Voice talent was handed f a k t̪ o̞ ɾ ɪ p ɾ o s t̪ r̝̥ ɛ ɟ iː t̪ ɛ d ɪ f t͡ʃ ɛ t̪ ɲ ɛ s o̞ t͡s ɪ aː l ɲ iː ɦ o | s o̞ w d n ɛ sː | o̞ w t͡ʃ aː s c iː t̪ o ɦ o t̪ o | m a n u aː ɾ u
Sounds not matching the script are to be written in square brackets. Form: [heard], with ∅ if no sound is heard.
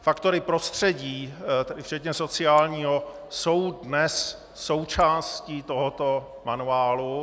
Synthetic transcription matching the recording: f a k t̪ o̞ ɾ ɪ p ɾ o s t̪ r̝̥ ɛ ɟ iː t̪ ɛ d ɪ f t͡ʃ ɛ t̪ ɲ ɛ s o̞ t͡s ɪ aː l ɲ iː ɦ o | s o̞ w d n ɛ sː | o̞ w t͡ʃ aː s c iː t̪ o ɦ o t̪ o | m a n u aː [l] u